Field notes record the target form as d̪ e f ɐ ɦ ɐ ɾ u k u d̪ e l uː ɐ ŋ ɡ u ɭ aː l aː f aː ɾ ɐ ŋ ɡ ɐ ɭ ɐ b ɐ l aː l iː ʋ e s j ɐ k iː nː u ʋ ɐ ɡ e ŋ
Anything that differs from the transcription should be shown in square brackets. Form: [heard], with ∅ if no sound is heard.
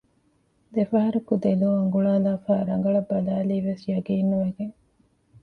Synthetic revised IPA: d̪ e f ɐ ɦ ɐ ɾ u k u d̪ e l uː ɐ ŋ ɡ u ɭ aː l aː f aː ɾ ɐ ŋ ɡ ɐ ɭ ɐ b ɐ l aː l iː ʋ e s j ɐ [ɡ] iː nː u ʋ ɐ ɡ e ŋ